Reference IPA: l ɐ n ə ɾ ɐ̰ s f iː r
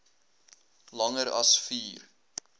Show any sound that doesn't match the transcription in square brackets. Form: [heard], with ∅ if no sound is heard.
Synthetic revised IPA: l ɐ [ŋ] ə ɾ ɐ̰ s f iː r